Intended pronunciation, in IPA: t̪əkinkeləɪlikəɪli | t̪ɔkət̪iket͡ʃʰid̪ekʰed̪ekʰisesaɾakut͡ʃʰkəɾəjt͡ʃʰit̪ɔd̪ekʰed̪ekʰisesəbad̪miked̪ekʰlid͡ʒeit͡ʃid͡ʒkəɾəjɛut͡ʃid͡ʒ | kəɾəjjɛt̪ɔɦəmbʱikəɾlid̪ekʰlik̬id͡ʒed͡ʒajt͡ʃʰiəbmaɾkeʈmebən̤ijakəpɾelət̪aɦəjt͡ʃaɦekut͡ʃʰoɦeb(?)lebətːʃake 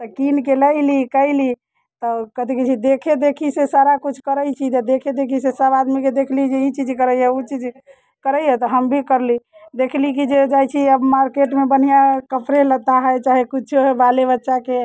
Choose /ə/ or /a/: a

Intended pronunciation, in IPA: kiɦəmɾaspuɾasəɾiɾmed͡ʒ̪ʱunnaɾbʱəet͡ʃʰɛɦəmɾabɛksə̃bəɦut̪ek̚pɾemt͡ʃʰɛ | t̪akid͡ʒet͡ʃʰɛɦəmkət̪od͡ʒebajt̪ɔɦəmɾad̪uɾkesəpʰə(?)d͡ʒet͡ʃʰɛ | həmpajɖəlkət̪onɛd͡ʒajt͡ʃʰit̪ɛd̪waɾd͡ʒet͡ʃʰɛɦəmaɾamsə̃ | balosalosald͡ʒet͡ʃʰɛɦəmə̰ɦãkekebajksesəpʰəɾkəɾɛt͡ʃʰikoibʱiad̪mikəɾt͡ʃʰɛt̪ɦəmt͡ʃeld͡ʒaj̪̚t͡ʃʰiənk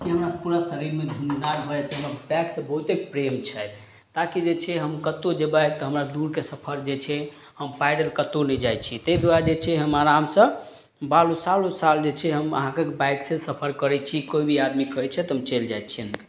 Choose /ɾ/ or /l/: ɾ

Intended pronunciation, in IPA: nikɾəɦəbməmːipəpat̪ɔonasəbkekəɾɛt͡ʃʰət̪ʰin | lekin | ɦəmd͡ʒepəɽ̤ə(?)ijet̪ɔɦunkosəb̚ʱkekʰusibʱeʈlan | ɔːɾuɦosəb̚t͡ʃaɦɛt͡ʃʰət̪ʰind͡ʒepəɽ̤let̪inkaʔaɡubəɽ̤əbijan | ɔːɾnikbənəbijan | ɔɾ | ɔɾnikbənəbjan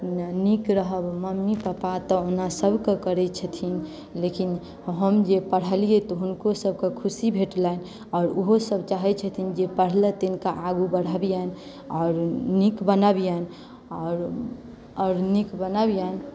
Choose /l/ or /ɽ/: l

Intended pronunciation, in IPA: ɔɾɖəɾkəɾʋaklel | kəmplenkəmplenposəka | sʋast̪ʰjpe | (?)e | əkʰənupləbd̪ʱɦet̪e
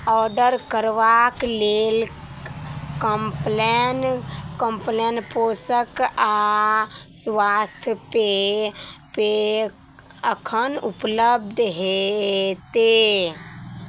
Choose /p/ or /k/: p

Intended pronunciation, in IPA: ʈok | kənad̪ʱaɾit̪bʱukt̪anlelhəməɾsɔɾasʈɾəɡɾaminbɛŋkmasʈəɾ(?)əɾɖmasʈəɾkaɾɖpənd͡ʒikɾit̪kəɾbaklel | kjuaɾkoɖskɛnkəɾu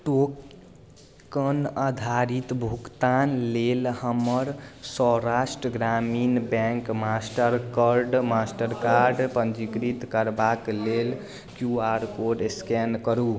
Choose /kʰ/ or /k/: k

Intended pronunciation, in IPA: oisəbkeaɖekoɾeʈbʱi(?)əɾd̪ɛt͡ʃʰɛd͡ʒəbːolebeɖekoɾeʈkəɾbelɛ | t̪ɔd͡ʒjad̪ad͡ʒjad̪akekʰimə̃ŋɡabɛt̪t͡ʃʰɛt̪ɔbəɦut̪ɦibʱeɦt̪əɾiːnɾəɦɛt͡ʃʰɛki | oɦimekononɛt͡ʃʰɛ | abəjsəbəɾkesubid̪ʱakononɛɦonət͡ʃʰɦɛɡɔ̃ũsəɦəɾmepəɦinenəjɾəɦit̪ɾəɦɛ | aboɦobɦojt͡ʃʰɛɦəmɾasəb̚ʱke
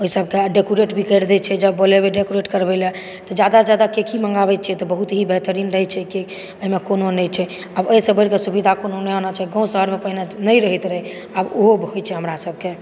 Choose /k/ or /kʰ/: k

